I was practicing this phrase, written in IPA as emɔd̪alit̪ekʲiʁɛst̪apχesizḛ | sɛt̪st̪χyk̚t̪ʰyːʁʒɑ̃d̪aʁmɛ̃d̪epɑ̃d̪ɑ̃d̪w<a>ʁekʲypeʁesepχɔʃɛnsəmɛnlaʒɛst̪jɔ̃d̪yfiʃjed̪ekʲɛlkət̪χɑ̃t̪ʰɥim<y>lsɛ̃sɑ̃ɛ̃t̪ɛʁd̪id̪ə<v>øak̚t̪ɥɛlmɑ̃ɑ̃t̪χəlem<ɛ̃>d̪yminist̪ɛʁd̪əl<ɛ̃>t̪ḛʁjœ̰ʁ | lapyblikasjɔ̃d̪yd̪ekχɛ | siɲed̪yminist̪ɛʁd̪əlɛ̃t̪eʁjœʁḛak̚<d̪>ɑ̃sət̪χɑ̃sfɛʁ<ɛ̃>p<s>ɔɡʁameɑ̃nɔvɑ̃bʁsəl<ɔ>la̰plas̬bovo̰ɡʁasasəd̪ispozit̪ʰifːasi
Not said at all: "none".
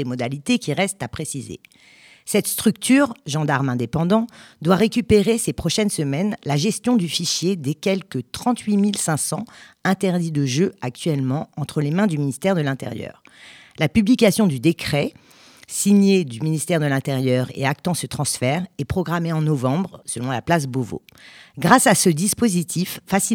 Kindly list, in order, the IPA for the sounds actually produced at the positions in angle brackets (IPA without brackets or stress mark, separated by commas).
a, i, ʒ, ɛ̃, ɛ̃, t̪, ɛ, χ, ɔ̃